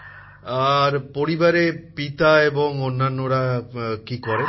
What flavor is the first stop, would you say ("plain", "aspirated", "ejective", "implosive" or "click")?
plain